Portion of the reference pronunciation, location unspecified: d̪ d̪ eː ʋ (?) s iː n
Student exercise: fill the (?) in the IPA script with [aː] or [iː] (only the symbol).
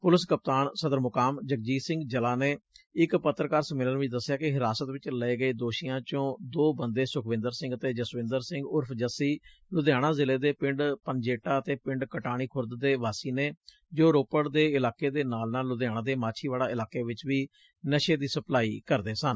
aː